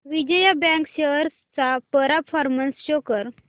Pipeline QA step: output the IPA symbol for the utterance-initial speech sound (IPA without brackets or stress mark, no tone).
ʋ